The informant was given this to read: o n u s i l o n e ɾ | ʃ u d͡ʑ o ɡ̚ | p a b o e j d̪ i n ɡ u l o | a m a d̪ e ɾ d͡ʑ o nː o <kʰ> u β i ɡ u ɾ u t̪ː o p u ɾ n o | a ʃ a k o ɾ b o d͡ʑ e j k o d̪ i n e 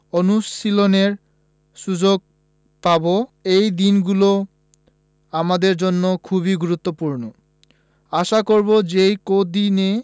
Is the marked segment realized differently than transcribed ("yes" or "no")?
no